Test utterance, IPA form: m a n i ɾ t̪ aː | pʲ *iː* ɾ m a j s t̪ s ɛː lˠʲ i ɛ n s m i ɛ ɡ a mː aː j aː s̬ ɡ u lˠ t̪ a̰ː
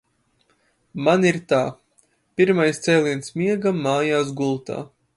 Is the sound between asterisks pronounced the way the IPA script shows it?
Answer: no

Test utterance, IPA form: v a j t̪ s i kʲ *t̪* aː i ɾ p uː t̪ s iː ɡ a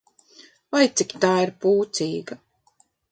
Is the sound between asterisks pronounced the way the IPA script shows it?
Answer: yes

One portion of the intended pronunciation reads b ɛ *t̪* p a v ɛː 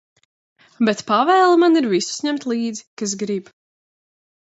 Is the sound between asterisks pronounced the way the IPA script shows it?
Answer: yes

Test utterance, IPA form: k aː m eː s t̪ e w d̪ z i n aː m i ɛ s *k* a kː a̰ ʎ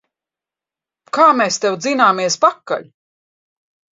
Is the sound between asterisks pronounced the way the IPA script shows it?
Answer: no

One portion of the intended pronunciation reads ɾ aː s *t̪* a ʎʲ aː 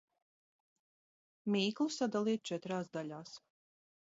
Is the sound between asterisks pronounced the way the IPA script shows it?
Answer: no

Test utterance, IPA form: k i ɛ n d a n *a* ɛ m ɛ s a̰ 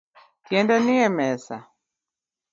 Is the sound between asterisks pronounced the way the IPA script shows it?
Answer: no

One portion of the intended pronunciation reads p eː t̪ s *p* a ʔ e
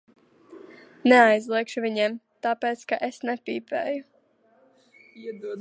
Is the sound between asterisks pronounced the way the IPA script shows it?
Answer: no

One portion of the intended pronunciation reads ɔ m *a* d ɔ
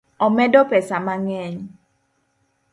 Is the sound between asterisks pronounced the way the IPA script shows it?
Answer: no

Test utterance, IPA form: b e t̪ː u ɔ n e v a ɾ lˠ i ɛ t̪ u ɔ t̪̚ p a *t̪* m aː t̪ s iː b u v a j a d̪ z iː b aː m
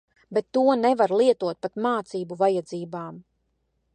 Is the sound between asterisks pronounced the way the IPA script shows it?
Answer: yes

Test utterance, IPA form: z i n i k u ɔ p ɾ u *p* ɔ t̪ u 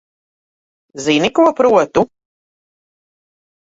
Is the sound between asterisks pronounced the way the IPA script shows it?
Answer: no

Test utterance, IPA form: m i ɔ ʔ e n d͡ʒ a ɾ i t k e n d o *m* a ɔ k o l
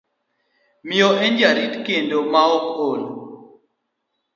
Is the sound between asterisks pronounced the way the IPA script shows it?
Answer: yes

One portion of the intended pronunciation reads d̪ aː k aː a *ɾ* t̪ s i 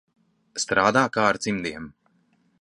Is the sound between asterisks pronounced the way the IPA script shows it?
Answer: yes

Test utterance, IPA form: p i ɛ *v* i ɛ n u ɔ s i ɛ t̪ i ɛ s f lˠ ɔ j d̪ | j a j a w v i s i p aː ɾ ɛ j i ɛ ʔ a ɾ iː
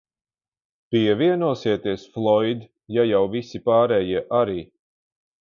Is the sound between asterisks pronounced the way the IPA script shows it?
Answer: yes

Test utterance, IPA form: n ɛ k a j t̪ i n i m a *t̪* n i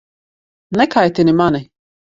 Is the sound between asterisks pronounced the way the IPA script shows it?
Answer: no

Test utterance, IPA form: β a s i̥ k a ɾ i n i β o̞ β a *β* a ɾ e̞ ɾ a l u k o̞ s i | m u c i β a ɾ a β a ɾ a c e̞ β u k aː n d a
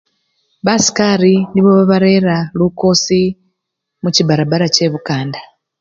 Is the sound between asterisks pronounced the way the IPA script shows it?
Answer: yes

